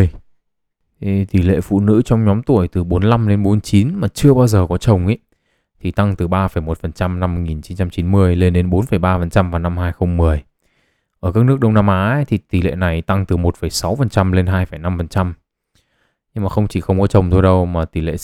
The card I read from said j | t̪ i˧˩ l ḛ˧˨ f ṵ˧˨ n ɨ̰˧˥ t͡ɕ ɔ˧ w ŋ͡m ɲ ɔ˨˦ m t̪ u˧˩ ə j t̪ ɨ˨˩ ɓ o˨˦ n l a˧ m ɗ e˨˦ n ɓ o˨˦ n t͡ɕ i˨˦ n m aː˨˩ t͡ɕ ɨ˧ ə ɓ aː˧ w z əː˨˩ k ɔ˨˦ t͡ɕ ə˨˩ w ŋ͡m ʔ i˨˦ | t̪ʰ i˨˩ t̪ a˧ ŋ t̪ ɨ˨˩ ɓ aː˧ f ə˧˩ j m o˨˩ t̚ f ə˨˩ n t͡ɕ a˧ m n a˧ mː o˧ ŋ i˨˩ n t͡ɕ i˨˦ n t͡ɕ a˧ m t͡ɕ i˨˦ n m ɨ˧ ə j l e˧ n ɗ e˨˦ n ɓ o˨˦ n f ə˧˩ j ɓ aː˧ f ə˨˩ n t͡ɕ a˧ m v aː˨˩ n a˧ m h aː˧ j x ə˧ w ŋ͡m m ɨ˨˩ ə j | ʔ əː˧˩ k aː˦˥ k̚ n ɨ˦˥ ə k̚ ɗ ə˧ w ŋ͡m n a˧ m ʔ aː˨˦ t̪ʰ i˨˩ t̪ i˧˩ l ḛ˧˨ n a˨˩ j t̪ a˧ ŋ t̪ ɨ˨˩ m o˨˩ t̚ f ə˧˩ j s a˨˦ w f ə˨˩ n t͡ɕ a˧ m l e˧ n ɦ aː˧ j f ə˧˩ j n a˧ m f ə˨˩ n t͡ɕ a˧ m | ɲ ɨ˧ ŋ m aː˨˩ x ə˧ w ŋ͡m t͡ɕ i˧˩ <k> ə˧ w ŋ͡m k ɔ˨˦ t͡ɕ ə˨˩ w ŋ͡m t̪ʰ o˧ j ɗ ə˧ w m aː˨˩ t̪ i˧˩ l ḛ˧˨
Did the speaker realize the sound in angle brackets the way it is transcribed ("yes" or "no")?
no